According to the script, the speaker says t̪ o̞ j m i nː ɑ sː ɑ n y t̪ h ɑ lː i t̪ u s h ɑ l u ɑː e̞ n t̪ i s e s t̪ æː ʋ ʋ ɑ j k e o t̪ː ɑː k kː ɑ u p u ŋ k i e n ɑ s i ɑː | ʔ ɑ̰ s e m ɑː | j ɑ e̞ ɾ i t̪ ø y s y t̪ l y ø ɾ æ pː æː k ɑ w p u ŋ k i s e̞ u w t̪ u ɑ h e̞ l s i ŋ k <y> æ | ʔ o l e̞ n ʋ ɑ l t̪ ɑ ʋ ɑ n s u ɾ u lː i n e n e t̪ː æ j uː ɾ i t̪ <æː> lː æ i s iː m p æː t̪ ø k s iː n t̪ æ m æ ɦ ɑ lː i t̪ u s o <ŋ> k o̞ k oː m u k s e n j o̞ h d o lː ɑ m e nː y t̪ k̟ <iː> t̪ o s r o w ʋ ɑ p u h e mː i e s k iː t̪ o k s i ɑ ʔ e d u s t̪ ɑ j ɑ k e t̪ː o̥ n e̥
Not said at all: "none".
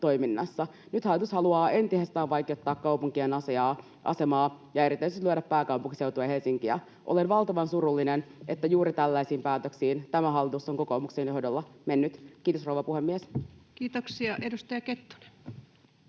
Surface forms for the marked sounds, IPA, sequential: i, æ, ŋ, iː

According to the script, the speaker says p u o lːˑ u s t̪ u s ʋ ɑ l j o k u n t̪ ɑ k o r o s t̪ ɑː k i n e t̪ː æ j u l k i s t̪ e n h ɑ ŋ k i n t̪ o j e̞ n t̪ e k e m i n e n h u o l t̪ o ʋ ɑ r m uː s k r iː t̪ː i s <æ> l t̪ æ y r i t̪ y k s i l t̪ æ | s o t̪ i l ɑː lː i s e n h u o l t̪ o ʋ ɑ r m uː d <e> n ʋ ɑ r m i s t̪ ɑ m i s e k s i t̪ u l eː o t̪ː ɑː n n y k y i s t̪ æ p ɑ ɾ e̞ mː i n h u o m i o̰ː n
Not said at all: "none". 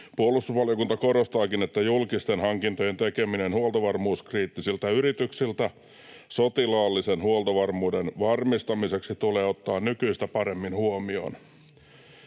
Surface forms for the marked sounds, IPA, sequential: i, e

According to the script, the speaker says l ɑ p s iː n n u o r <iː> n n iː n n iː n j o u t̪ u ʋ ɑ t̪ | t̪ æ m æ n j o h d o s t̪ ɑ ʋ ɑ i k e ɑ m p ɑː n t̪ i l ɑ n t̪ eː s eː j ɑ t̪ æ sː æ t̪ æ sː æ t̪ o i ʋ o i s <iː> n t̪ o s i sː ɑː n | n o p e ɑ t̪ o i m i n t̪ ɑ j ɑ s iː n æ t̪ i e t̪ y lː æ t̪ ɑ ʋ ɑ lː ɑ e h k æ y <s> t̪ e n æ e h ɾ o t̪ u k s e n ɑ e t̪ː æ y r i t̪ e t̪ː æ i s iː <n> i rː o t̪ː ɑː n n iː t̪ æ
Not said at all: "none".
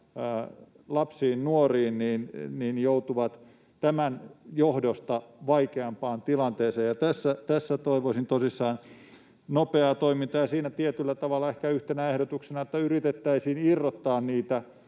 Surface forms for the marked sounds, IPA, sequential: iː, i, h, n

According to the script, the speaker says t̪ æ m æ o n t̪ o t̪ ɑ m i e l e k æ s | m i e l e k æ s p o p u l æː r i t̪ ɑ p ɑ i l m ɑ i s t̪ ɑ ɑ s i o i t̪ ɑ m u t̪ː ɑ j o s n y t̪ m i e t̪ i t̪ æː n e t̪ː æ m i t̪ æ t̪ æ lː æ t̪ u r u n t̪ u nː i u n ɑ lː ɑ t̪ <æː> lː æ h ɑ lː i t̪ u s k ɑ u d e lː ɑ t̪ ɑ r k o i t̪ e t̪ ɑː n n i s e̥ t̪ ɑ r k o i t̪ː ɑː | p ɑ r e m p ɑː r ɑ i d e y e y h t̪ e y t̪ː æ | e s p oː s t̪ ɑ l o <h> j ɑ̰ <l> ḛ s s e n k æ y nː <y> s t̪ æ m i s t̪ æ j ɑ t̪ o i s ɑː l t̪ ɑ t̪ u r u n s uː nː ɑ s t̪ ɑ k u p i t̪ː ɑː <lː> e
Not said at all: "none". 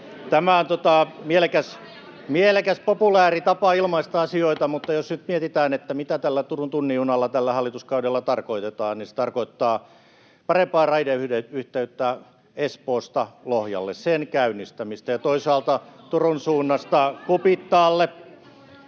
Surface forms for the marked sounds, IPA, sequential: æ, h, lː, i, lː

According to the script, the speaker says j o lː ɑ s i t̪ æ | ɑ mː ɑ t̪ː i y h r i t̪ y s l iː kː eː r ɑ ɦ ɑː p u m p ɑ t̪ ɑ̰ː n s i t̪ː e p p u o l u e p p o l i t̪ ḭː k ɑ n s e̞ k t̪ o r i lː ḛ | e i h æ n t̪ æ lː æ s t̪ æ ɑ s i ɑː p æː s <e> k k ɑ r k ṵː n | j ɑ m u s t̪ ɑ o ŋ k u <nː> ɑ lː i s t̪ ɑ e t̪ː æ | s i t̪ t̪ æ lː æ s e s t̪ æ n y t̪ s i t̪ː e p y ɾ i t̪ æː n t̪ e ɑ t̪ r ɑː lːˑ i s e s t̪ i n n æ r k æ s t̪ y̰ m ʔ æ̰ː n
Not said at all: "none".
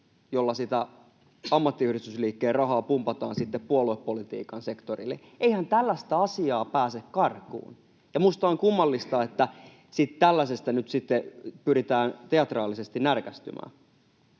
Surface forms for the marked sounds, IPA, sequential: e, mː

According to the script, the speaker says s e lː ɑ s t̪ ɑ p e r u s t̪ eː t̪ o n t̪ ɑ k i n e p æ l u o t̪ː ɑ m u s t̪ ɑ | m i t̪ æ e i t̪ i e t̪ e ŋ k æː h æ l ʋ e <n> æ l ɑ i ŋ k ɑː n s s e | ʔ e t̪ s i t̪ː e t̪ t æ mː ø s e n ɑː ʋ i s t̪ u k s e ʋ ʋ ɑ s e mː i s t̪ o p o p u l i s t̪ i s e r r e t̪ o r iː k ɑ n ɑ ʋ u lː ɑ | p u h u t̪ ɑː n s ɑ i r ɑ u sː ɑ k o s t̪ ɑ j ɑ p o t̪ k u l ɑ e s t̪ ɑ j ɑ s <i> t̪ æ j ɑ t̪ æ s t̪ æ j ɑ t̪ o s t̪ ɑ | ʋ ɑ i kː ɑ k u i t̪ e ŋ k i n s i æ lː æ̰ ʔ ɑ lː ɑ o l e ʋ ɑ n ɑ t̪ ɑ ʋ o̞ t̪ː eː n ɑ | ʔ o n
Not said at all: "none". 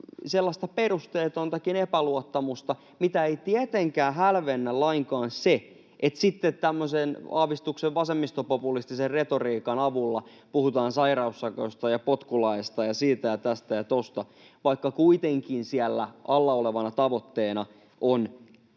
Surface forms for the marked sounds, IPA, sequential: nː, iː

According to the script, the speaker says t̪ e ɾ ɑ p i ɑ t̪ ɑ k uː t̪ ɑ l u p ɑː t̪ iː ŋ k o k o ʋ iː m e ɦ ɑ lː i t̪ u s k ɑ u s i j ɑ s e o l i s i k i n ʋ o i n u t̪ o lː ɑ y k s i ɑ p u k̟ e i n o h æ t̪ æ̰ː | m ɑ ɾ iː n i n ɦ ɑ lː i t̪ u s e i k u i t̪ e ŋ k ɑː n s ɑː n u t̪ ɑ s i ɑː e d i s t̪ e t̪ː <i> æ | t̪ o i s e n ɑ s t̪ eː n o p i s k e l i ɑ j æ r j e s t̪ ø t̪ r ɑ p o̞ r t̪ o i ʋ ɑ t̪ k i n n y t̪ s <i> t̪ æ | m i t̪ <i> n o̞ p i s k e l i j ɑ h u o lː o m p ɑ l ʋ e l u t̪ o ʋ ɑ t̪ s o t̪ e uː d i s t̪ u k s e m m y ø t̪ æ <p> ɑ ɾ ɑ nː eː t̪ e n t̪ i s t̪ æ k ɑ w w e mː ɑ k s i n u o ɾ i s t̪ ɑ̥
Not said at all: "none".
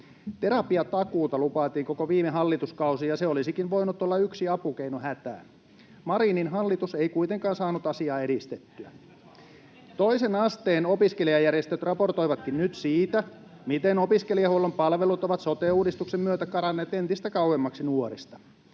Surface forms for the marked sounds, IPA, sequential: y, iː, e, k

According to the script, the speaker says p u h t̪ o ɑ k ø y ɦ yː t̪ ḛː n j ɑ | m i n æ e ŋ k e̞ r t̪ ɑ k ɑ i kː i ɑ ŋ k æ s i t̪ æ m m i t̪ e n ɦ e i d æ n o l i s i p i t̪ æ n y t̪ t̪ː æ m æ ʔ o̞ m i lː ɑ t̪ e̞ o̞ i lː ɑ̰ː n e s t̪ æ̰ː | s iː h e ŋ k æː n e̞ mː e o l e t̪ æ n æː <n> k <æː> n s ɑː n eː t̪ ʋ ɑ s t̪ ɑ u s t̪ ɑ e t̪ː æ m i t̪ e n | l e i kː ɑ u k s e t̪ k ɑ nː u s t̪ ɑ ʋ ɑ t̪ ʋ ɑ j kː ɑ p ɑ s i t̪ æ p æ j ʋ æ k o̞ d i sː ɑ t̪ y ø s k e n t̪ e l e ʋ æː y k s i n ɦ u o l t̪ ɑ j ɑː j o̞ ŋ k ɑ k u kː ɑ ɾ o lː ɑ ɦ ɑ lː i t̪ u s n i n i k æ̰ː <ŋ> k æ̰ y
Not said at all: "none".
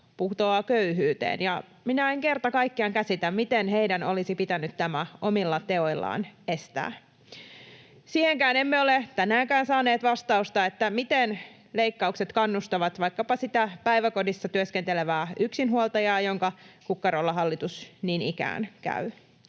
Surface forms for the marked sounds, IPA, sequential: ŋ, æː, n

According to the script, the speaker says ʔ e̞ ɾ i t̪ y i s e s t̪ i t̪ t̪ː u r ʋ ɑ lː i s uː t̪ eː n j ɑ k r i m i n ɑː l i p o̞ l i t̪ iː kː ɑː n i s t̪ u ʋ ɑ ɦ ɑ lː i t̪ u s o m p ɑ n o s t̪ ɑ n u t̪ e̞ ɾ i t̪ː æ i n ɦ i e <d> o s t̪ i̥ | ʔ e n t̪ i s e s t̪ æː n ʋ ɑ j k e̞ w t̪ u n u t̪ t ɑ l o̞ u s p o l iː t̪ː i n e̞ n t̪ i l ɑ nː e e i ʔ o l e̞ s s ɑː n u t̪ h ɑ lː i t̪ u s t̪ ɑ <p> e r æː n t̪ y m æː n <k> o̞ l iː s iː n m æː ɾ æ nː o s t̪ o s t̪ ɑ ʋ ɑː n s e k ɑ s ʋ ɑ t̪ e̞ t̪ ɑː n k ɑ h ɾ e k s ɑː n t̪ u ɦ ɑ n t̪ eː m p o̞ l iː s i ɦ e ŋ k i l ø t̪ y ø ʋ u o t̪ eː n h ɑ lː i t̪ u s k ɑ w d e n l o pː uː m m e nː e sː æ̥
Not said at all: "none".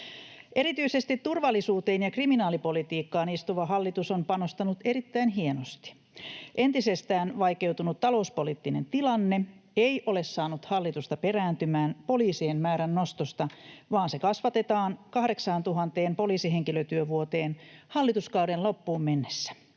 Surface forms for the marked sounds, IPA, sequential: n, p, p

